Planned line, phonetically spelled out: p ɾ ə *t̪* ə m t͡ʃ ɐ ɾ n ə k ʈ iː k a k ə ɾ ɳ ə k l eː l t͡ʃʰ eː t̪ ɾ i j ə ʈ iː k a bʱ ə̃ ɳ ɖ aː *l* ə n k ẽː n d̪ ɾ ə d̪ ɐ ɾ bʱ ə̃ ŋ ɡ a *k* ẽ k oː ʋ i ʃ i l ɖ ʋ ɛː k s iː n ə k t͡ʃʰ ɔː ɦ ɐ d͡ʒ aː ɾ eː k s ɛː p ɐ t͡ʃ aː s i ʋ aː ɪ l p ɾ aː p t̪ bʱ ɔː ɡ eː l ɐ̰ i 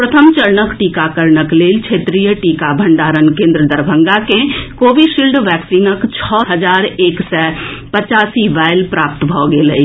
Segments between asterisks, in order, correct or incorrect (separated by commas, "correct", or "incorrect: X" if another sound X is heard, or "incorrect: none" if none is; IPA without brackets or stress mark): incorrect: t̪ʰ, incorrect: ɾ, correct